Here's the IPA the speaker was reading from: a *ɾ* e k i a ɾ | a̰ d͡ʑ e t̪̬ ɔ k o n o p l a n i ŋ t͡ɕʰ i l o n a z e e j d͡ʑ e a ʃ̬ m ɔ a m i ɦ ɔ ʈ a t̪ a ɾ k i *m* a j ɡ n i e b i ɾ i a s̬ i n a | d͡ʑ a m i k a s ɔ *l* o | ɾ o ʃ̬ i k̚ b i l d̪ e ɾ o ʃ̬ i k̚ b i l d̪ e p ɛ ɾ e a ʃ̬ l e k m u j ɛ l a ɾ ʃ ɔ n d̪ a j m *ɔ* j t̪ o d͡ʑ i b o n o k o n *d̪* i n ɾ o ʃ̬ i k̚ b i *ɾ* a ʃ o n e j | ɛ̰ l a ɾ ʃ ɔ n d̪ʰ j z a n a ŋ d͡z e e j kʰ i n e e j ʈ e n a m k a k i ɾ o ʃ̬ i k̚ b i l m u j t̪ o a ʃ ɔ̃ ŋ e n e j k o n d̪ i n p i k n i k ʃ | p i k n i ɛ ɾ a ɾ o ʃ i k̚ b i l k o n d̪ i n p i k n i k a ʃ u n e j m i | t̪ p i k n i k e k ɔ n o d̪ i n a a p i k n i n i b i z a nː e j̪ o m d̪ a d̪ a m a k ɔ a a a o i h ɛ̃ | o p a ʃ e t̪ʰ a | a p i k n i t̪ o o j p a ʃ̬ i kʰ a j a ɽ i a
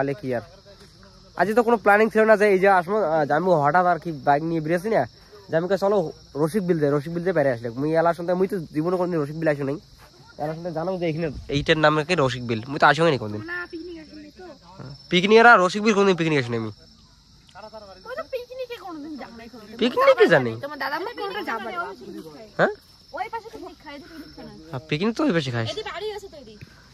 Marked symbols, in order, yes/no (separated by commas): no, no, yes, no, yes, no